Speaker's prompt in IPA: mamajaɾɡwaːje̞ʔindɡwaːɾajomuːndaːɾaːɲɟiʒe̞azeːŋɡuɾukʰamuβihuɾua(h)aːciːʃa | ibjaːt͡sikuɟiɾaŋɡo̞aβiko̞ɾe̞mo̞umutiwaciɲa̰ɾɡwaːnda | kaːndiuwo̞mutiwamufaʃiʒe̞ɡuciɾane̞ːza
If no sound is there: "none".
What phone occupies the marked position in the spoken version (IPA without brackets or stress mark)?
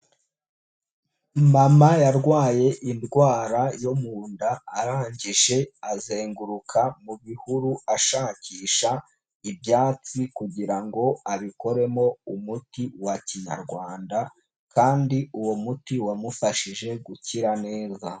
ʃ